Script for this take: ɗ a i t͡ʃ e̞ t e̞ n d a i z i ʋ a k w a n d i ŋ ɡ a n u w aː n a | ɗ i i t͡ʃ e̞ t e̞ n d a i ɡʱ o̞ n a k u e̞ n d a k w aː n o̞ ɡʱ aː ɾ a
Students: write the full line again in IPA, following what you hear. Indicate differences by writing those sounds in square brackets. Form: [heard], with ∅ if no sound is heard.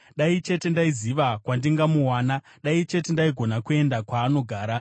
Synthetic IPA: ɗ a i t͡ʃ e̞ t e̞ n d a i z i ʋ a k w a n d i ŋ ɡ a [m] u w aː n a | ɗ [a] i t͡ʃ e̞ t e̞ n d a i ɡʱ o̞ n a k u e̞ n d a k w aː n o̞ ɡʱ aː ɾ a